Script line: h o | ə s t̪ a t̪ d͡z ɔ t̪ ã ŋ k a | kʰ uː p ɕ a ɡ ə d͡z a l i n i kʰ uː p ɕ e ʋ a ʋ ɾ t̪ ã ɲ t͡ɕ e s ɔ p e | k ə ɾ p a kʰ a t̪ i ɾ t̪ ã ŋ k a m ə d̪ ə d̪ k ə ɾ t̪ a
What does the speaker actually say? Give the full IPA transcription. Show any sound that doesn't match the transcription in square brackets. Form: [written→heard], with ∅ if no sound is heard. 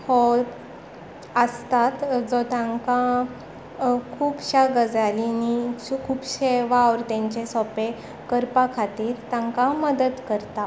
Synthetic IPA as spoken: h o | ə s t̪ a t̪ d͡z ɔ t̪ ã ŋ k a | kʰ uː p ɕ a ɡ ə d͡z a l i n i kʰ uː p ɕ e ʋ a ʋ ɾ t̪ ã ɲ t͡ɕ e s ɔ p e | k ə ɾ p a kʰ a t̪ [i→iː] ɾ t̪ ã ŋ k a m ə d̪ ə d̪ k ə ɾ t̪ a